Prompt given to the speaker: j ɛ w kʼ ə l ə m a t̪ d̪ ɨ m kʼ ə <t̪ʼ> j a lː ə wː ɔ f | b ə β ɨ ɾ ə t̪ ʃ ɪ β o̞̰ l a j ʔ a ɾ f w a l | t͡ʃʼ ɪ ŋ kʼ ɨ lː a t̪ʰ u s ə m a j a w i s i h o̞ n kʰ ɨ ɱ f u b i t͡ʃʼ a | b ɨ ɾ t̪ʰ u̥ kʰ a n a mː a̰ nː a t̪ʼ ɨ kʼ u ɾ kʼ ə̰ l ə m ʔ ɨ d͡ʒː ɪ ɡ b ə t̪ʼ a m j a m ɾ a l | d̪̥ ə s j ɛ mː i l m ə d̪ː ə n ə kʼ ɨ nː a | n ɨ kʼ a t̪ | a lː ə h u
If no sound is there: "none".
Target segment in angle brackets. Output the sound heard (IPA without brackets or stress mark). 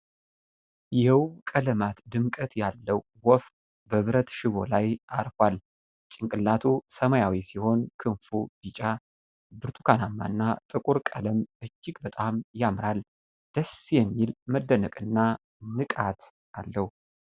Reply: t̪